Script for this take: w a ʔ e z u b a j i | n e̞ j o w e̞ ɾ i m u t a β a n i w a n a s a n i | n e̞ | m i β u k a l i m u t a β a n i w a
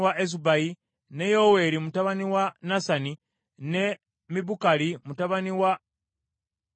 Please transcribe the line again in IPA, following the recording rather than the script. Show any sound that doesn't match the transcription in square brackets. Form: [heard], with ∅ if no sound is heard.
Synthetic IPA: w a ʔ e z u b a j i | n e̞ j o w e̞ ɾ i m u t a β a n i w a n a s a n i | n e̞ | m i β u k a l i m u t a β a n i w a